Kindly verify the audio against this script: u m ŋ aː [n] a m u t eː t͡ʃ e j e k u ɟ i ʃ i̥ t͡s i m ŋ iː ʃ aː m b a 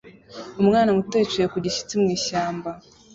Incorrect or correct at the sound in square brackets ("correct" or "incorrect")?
correct